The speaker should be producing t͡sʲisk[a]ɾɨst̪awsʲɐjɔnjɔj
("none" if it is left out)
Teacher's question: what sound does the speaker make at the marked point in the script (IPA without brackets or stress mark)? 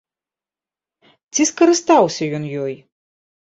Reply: ɐ